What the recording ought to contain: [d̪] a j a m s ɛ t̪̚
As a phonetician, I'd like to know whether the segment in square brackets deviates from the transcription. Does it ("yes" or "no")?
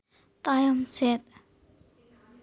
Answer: yes